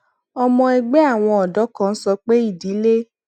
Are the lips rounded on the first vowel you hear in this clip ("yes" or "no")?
yes